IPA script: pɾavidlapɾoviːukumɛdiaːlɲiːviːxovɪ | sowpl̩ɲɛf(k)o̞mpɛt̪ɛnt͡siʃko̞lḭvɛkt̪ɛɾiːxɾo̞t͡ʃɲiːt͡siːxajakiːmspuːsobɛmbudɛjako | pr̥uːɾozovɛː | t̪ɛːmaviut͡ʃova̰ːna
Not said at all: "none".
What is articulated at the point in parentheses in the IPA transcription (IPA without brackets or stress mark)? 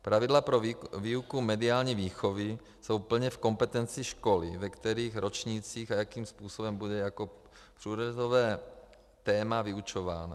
k